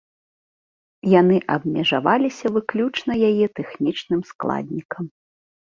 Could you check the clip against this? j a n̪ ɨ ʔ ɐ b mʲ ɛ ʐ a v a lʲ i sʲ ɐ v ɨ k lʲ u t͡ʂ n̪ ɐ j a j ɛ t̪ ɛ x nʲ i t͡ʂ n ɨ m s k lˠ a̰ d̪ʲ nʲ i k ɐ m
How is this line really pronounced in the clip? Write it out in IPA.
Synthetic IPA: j a n̪ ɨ ʔ ɐ b mʲ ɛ ʐ a v a lʲ i sʲ ɐ v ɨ k lʲ u t͡ʂ n̪ ɐ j a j ɛ t̪ ɛ x nʲ i t͡ʂ n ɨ m s k lˠ a̰ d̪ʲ nʲ i k ɐ m